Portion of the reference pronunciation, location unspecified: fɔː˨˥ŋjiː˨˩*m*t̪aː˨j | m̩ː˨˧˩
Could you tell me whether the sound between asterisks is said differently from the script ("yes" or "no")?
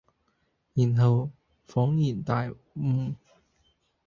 yes